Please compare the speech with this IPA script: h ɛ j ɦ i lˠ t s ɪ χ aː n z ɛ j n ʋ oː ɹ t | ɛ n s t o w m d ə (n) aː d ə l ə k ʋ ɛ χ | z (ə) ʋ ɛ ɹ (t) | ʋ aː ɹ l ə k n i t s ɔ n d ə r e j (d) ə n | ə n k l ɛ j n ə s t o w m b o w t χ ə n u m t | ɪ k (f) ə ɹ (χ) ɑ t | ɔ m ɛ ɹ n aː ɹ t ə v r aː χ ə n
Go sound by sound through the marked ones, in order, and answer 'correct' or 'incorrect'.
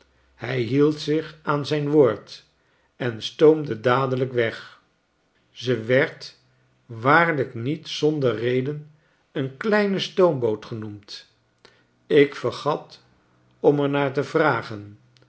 incorrect, correct, correct, correct, correct, correct

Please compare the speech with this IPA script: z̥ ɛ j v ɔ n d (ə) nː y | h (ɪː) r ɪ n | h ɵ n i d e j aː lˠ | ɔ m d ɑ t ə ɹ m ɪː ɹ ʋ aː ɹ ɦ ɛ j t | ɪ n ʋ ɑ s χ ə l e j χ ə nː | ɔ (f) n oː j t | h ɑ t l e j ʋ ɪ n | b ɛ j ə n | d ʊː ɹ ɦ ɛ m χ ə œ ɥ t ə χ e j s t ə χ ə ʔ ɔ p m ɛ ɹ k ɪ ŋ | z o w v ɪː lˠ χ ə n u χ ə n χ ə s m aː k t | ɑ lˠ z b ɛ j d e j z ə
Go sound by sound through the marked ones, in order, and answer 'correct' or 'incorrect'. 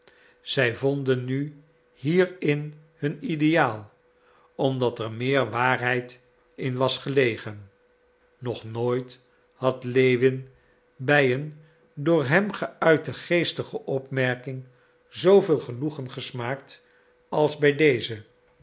correct, incorrect, incorrect

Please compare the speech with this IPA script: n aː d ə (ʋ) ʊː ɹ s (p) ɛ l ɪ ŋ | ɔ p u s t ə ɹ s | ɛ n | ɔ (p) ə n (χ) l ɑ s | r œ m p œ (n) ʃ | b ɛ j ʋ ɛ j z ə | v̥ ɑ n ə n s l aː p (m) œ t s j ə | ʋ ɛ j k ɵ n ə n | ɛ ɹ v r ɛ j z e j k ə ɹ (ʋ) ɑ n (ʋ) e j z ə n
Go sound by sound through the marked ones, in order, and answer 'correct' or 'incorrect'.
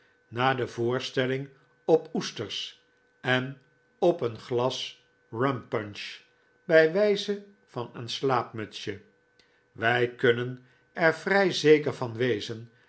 incorrect, incorrect, correct, correct, correct, correct, incorrect, correct

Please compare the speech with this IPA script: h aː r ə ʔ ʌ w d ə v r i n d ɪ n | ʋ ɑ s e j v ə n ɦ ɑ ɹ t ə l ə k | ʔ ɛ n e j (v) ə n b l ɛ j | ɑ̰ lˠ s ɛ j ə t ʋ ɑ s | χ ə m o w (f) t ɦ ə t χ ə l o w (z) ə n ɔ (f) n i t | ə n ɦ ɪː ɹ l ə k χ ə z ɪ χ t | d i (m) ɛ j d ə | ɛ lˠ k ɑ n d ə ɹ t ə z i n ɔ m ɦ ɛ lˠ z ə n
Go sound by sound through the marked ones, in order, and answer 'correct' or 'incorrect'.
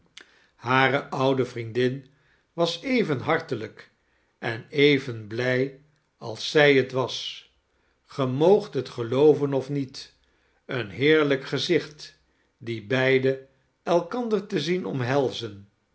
correct, incorrect, incorrect, correct, incorrect

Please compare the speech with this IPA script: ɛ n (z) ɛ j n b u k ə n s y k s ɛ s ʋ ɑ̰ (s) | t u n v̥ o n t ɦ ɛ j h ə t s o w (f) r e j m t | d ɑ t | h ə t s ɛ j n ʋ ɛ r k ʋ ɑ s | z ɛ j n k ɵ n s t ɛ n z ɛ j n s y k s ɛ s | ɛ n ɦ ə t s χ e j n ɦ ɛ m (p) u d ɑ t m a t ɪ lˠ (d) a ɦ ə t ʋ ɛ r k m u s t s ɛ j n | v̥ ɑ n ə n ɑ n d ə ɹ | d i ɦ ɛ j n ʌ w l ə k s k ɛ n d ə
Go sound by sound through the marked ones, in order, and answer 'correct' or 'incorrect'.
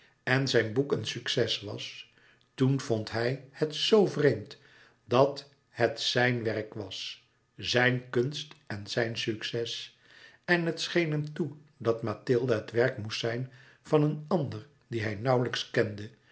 correct, correct, incorrect, incorrect, correct

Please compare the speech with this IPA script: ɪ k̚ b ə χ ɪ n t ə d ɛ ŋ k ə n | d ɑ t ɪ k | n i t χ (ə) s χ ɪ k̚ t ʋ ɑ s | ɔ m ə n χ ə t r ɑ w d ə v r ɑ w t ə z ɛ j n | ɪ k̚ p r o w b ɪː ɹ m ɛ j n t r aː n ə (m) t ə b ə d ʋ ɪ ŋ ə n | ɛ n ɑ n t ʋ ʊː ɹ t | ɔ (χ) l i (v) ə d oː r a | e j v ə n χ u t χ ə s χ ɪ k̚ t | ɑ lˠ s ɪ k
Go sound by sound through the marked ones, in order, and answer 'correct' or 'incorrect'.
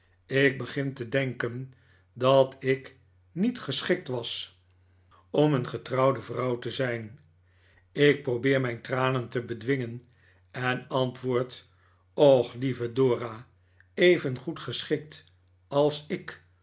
correct, incorrect, correct, correct

